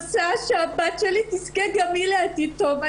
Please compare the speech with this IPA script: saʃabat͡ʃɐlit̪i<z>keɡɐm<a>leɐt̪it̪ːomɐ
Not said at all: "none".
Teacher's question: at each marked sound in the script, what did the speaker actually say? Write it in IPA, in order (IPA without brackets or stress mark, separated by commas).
s, i